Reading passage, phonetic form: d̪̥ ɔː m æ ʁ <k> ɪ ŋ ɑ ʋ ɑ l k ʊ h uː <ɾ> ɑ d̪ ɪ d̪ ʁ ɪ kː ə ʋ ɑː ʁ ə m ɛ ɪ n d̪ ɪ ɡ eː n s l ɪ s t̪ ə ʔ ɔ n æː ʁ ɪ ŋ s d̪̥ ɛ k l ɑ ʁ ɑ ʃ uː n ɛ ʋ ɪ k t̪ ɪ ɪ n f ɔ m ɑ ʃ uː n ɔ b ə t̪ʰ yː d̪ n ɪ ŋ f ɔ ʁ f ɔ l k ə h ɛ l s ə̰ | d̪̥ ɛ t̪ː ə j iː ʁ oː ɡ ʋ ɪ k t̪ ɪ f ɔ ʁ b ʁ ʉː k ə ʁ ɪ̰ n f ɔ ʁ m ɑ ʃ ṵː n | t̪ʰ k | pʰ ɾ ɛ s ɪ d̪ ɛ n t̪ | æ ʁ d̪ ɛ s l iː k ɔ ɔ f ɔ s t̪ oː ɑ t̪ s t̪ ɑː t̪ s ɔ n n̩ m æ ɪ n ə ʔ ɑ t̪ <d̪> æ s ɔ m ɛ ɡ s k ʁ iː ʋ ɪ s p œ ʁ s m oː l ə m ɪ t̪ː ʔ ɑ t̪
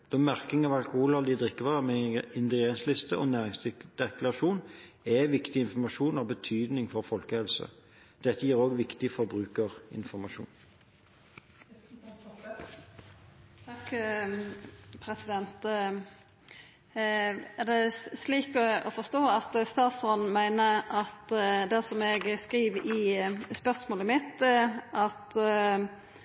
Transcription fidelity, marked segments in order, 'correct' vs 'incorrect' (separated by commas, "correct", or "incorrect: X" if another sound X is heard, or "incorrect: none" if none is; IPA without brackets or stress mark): correct, incorrect: l, correct